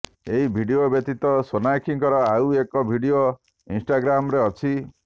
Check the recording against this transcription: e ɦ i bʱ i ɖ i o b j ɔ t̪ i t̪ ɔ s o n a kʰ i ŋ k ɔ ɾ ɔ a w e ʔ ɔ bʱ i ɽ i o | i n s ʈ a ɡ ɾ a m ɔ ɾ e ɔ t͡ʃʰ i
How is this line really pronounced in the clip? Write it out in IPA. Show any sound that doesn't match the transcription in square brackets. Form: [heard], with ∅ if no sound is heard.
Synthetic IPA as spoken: e ɦ i bʱ i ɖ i o b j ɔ t̪ i t̪ ɔ s o n a kʰ i ŋ k ɔ ɾ ɔ a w e [k] ɔ bʱ i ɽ i o | i n s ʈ a ɡ ɾ a m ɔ ɾ e ɔ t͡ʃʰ i